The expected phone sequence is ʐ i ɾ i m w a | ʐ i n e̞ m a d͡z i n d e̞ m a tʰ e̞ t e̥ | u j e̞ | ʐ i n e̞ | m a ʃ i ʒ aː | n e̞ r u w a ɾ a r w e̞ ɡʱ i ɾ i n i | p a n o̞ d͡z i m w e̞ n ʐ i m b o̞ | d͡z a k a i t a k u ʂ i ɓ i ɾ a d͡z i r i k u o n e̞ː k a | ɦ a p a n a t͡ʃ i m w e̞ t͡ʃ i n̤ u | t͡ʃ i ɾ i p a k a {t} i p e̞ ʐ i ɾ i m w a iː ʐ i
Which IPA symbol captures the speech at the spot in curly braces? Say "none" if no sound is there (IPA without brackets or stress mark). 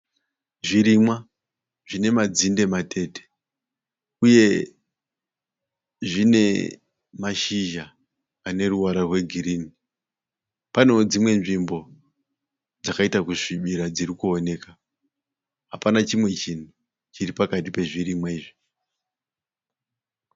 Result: t